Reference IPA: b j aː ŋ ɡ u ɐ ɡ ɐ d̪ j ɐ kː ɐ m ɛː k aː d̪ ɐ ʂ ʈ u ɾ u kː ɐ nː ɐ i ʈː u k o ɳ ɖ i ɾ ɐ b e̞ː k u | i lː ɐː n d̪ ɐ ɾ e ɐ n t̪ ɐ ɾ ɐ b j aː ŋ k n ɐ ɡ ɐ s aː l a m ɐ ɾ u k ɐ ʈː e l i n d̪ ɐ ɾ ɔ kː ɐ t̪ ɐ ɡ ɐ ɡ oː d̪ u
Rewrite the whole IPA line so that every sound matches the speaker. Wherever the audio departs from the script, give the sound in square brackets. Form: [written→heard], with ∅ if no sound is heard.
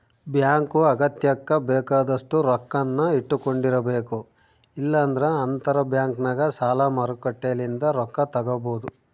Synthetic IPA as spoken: b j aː ŋ [ɡ→k] u ɐ ɡ ɐ [d̪→t̪] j ɐ kː ɐ [m→b] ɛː k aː d̪ ɐ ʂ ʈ u ɾ [u→ɔ] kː ɐ nː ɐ i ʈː u k o ɳ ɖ i ɾ ɐ b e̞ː k u | i lː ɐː n d̪ ɐ ɾ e ɐ n t̪ ɐ ɾ ɐ b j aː ŋ k n ɐ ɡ ɐ s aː l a m ɐ ɾ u k ɐ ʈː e l i n d̪ ɐ ɾ ɔ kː ɐ t̪ ɐ ɡ ɐ [ɡ→b] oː d̪ u